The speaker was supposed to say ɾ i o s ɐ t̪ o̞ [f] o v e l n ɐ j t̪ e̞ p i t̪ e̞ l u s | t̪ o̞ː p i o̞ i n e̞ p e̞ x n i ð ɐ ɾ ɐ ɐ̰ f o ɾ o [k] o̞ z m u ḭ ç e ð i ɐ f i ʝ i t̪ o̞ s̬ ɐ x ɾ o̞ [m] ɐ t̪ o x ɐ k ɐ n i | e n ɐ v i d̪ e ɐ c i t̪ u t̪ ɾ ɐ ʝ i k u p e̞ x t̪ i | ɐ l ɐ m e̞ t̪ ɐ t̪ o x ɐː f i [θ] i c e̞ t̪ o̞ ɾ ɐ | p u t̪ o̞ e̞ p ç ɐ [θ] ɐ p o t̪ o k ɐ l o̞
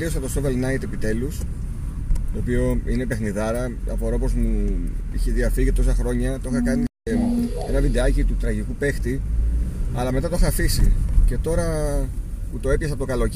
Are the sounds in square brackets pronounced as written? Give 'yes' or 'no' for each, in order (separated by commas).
no, no, no, no, no